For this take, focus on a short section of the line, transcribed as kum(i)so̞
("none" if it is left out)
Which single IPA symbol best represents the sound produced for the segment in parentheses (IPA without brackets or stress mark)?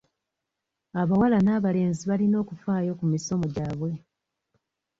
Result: i